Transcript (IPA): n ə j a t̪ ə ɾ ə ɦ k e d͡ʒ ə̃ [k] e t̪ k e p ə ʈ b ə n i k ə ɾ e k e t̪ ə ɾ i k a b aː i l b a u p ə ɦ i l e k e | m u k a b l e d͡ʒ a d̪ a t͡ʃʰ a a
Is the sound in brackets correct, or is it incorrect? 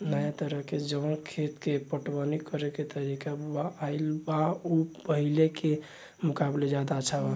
incorrect: kʰ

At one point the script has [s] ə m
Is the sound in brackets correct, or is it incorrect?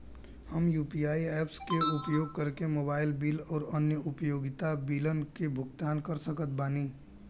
incorrect: h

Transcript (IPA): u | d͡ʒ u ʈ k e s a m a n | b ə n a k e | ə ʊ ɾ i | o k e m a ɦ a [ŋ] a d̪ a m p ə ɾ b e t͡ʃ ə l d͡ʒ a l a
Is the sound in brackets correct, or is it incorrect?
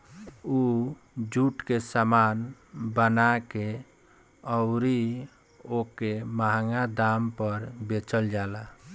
correct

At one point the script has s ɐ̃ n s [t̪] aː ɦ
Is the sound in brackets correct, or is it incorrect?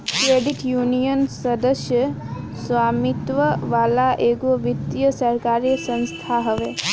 incorrect: t̪ʰ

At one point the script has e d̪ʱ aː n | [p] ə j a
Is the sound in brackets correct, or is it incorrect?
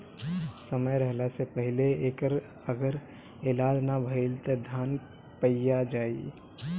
correct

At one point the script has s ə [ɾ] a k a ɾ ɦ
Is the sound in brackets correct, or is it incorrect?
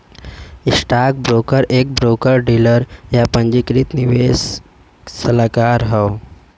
incorrect: l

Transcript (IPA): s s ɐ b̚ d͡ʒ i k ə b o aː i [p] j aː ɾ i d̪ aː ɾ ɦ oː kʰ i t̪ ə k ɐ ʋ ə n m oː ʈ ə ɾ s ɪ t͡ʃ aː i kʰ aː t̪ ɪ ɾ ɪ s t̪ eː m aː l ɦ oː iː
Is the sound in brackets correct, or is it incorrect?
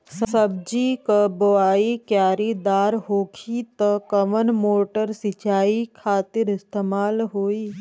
incorrect: k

